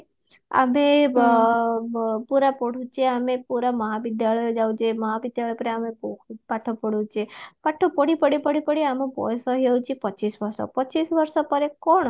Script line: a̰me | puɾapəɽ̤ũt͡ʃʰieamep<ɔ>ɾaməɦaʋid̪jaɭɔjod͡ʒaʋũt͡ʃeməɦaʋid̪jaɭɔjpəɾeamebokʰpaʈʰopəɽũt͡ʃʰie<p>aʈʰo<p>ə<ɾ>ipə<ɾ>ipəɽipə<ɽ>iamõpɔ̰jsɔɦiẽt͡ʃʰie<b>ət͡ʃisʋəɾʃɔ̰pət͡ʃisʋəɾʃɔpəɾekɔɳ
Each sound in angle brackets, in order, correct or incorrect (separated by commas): incorrect, correct, correct, incorrect, incorrect, correct, incorrect